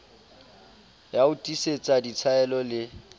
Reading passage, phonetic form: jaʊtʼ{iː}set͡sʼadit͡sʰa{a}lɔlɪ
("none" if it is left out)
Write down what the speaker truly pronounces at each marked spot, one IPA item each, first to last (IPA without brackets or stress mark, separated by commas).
i, ɛ